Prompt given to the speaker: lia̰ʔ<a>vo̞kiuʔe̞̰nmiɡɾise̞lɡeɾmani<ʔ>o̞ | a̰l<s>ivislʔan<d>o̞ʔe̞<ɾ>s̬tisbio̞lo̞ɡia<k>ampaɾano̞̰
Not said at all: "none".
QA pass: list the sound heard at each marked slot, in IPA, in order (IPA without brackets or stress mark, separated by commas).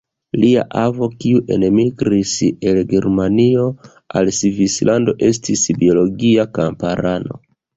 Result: a, none, s, d, none, k